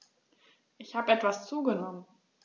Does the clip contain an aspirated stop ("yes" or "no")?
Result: no